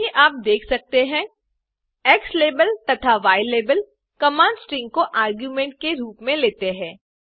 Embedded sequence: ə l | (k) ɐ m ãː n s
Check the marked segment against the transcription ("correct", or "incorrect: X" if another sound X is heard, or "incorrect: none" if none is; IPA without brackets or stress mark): correct